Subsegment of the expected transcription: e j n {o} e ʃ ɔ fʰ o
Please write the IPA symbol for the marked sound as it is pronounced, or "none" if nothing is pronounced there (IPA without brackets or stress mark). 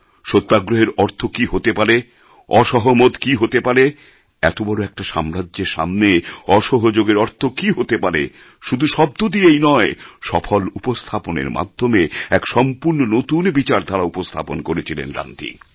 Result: ɔ